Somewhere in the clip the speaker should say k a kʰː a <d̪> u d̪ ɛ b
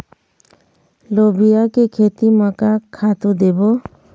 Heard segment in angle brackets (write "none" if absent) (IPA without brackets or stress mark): t̪